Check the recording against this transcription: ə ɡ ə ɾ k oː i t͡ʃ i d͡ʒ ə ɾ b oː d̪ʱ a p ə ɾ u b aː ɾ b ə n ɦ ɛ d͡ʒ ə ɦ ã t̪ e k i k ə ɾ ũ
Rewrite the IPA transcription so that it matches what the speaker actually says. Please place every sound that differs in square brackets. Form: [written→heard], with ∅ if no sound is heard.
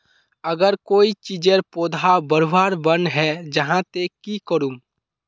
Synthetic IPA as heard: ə ɡ ə ɾ k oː i t͡ʃ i d͡ʒ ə ɾ [b→p] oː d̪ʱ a [p→b] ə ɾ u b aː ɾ b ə n ɦ ɛ d͡ʒ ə ɦ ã t̪ e k i k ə ɾ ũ